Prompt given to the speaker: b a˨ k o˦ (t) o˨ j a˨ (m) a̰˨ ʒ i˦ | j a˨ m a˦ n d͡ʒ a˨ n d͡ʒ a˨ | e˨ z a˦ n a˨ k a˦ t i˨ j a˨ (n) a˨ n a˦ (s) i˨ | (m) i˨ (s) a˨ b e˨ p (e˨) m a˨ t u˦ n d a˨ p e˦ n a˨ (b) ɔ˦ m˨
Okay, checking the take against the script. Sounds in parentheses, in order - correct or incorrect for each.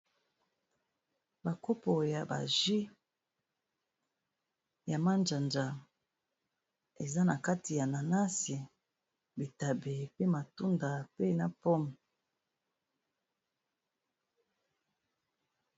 incorrect: p, incorrect: b, correct, correct, incorrect: b, incorrect: t, incorrect: e˦, incorrect: p

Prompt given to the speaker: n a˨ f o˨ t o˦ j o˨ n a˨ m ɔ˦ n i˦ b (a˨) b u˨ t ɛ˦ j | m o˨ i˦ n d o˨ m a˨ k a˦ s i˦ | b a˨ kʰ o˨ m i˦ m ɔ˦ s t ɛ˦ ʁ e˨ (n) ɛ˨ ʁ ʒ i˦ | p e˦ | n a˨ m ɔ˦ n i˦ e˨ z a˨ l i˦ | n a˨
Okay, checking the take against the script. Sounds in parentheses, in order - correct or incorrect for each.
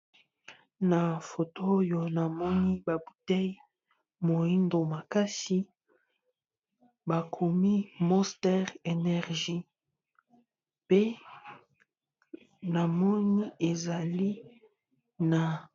correct, correct

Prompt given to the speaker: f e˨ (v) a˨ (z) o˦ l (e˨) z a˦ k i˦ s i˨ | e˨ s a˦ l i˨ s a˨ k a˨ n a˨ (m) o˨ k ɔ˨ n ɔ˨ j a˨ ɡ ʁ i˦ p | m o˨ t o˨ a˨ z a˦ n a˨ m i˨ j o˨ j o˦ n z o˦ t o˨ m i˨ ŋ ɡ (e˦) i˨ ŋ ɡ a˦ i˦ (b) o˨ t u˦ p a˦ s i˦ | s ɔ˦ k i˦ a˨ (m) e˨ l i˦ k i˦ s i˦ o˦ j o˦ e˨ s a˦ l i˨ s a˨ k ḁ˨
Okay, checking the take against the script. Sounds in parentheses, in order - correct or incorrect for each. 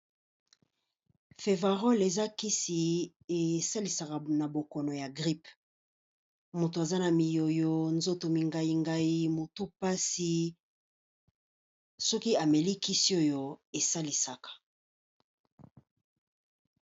correct, incorrect: ʁ, correct, incorrect: b, incorrect: a˦, incorrect: m, correct

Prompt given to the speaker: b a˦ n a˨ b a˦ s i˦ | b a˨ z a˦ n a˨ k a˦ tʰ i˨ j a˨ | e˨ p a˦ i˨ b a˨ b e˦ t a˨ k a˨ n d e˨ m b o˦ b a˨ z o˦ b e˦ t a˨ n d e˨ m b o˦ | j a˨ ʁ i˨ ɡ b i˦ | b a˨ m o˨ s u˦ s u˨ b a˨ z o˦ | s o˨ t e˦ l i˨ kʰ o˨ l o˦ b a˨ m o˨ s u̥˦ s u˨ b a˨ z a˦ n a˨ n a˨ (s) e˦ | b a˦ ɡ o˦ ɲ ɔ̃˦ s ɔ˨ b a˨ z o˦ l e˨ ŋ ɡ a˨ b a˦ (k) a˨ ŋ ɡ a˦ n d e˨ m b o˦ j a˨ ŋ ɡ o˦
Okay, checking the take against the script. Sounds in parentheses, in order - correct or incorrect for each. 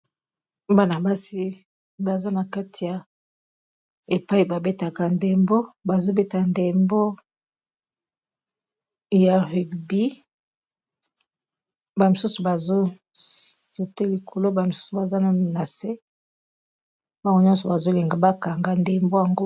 correct, correct

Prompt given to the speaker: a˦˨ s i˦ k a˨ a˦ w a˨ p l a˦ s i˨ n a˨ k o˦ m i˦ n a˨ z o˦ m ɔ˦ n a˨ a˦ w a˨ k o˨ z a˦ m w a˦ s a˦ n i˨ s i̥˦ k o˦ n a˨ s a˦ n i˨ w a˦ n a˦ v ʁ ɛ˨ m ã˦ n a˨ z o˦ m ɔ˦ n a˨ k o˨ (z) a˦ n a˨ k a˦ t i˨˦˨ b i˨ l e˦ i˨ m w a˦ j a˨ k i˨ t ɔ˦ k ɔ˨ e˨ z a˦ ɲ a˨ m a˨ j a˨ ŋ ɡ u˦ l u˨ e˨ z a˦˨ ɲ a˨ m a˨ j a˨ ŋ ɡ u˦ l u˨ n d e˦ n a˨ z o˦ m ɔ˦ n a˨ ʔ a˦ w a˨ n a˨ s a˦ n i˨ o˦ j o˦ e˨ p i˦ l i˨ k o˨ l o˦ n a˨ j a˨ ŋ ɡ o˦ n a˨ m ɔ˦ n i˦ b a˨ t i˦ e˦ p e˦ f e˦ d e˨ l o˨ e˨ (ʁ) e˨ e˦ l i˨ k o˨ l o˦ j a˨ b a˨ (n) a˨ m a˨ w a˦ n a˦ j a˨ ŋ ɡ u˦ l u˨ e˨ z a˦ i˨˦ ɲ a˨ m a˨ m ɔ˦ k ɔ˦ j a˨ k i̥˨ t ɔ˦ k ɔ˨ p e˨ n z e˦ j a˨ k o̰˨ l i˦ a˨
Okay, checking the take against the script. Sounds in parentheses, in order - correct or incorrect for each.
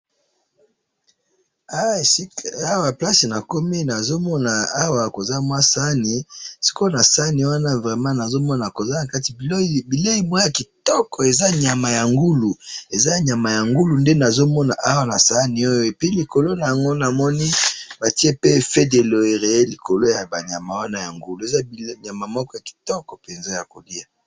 correct, correct, incorrect: ɲ

